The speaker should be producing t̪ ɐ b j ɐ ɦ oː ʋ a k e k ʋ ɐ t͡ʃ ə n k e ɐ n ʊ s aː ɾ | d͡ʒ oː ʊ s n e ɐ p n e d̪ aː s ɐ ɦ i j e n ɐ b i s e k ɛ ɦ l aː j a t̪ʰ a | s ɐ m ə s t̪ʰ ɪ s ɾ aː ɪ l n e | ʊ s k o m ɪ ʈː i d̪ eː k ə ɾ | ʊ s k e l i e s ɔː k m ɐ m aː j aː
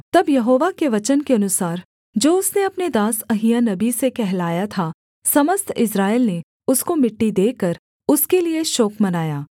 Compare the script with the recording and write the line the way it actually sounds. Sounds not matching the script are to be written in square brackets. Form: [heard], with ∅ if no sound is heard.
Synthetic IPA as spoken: t̪ ɐ b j ɐ ɦ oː ʋ a k e [∅] ʋ ɐ t͡ʃ ə n k e ɐ n ʊ s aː ɾ | d͡ʒ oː ʊ s n e ɐ p n e d̪ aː s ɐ ɦ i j [a] n ɐ b i s e k ɛ ɦ l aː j a t̪ʰ a | s ɐ m ə s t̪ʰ ɪ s ɾ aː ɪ l n e | ʊ s k o m ɪ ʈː i d̪ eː k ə ɾ | ʊ s k e l i e [ʃ] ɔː k m ɐ [n] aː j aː